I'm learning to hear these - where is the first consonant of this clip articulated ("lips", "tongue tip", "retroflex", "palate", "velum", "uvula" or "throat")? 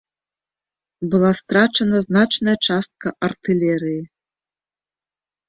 lips